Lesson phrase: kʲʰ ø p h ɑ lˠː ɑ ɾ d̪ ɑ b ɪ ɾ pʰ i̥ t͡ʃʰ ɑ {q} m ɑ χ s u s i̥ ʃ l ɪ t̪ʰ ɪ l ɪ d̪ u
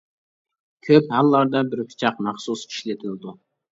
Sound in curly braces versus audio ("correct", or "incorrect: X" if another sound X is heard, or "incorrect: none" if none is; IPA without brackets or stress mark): correct